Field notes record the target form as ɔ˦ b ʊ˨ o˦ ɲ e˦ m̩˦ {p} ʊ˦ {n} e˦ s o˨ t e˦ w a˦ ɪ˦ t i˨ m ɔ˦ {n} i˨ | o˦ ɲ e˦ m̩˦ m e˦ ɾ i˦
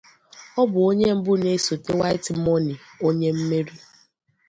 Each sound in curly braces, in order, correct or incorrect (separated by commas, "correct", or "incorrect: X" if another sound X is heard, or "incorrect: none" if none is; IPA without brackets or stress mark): incorrect: b, correct, correct